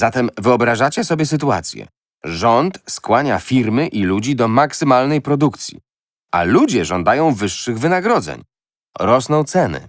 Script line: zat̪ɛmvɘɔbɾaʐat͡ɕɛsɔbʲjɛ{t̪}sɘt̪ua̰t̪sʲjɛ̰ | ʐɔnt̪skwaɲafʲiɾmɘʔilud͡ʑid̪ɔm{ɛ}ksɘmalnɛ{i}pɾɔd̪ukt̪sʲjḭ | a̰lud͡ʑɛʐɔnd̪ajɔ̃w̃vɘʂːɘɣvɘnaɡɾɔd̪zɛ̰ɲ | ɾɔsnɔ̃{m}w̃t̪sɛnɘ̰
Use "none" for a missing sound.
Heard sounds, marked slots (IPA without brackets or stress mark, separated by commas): none, a, j, none